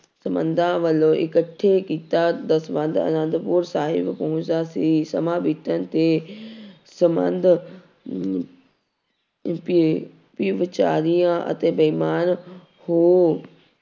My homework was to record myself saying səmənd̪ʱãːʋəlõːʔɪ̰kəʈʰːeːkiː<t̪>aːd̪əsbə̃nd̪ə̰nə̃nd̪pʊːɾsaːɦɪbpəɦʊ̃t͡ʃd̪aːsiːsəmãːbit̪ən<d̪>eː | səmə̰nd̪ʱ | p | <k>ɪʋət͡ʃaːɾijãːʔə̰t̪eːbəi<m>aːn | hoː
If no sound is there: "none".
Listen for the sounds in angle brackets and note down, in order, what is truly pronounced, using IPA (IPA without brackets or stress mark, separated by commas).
t̪, t̪, p, m